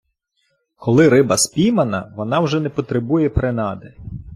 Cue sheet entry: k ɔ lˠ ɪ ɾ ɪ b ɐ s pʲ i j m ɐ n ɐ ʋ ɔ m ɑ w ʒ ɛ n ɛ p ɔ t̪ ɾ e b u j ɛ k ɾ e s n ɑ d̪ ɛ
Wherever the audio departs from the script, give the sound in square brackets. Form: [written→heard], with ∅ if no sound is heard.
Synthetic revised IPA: k ɔ lˠ ɪ ɾ ɪ b ɐ s pʲ i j m ɐ n ɐ ʋ ɔ [m→n] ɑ w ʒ ɛ n ɛ p ɔ t̪ ɾ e b u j ɛ [k→p] ɾ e [s→∅] n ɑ d̪ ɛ